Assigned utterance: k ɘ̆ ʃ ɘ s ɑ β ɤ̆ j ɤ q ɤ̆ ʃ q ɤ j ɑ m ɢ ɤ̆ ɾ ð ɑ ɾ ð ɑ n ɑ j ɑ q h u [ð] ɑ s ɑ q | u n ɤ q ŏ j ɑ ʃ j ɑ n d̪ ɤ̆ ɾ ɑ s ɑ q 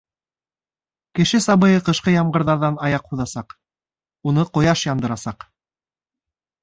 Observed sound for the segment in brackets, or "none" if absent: ð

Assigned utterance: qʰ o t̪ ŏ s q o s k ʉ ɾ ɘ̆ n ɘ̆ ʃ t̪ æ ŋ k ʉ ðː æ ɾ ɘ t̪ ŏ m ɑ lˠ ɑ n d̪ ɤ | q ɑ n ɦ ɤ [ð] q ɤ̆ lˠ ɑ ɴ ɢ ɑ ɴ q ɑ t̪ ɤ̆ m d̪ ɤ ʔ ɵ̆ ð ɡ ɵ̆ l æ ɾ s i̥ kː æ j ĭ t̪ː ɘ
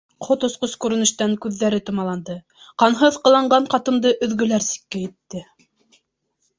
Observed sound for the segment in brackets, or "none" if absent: ð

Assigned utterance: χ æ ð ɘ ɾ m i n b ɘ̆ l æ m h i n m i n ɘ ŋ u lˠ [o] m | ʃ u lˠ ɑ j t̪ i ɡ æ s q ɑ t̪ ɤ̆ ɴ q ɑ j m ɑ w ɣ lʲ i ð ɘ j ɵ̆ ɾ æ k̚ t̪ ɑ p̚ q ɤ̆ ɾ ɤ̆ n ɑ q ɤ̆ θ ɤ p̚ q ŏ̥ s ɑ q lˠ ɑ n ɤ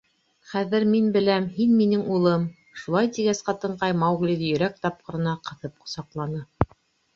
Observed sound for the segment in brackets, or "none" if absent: ɤ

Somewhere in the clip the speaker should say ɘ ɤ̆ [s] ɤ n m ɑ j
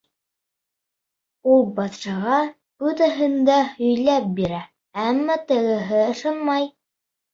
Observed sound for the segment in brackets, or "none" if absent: ʃ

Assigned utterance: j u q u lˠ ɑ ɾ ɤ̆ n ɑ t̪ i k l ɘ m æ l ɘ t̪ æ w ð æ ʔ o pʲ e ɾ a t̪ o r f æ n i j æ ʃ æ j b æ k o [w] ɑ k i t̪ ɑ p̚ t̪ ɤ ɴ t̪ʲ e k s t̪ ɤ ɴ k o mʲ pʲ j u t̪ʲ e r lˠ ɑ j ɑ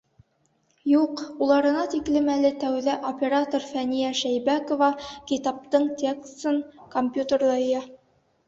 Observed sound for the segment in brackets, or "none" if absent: v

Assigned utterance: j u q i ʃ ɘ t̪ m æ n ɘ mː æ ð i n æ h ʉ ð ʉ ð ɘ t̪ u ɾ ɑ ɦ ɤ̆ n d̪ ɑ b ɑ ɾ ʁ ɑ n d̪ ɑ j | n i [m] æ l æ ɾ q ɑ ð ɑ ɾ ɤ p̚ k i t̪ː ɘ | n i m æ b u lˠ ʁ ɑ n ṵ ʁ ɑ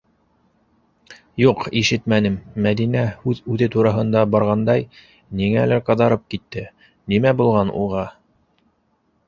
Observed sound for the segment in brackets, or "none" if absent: ŋ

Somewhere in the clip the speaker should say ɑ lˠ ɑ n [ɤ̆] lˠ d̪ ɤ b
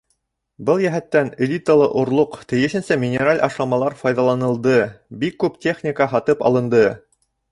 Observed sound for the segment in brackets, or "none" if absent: ɤ̆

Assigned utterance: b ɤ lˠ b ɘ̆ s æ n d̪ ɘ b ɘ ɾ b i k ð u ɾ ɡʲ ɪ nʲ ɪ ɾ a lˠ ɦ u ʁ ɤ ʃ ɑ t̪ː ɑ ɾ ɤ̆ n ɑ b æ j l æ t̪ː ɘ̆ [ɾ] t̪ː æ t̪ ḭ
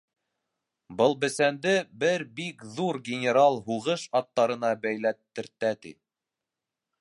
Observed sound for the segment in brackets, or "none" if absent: ɾ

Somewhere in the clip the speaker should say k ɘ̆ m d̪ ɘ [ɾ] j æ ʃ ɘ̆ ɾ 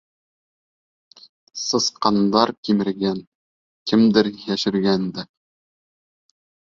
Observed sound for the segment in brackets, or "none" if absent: ɾ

